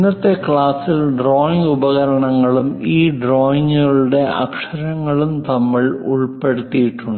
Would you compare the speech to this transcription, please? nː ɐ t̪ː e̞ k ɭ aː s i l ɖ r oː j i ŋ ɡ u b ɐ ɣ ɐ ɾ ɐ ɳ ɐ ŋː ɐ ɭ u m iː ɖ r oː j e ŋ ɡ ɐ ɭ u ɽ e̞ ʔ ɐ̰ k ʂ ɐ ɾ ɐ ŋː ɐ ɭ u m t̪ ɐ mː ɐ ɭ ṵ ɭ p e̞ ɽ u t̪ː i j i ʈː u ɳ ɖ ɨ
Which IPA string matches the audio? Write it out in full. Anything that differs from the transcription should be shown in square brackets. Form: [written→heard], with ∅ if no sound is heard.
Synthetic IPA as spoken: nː ɐ t̪ː e̞ k ɭ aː s i l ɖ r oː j i ŋ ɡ u b ɐ ɣ ɐ ɾ ɐ ɳ ɐ ŋː ɐ ɭ u m iː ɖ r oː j [e→i] ŋ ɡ ɐ ɭ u ɽ e̞ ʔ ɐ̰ k ʂ ɐ ɾ ɐ ŋː ɐ ɭ u m t̪ ɐ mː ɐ ɭ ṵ ɭ p e̞ ɽ u t̪ː i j i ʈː u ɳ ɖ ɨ